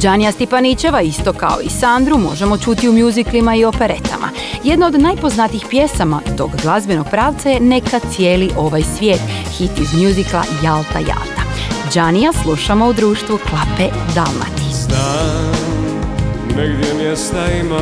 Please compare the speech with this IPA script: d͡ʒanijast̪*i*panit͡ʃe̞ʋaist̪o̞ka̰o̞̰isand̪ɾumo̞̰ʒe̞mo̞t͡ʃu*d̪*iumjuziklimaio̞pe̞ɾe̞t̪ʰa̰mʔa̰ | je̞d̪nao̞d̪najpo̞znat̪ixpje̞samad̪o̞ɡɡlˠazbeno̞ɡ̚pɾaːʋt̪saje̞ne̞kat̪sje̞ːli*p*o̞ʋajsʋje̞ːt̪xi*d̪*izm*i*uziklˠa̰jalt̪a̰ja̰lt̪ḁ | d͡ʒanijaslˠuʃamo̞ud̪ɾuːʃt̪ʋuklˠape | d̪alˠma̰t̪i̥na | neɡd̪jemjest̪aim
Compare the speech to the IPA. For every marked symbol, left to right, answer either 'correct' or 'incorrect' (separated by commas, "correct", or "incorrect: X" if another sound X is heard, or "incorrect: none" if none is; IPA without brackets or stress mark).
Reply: correct, incorrect: t̪, incorrect: ʔ, incorrect: t̪, incorrect: j